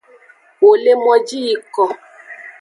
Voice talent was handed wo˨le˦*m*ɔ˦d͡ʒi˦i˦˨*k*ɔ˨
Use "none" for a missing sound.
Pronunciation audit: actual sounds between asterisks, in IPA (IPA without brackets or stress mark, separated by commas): m, k